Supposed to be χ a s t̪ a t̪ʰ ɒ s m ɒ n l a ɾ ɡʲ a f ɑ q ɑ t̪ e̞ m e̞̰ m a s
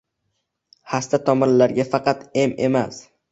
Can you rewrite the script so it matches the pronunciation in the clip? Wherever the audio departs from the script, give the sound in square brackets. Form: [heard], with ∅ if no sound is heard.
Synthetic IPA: [h] a s t̪ a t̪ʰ ɒ [∅] m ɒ n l a ɾ ɡʲ a f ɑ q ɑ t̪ e̞ m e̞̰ m a s